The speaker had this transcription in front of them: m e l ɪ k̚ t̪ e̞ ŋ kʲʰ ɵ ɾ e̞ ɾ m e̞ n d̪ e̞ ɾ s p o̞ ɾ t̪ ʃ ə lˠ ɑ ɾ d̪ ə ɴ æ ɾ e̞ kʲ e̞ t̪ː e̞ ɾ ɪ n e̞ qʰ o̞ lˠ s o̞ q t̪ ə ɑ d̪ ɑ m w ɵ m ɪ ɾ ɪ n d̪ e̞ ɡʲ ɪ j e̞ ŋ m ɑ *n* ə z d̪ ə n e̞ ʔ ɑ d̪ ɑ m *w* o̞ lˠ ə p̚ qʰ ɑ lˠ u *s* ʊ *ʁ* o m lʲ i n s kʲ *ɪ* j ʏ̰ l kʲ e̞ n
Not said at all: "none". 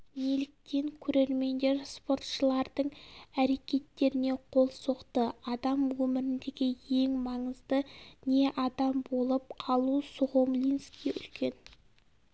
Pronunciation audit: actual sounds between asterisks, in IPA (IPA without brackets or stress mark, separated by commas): ɴ, b, s, ʁ, i